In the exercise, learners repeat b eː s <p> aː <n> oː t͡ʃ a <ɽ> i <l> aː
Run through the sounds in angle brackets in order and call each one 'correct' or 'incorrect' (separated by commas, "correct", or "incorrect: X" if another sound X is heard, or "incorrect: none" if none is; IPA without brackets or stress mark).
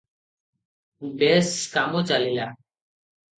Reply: incorrect: k, incorrect: m, incorrect: l, correct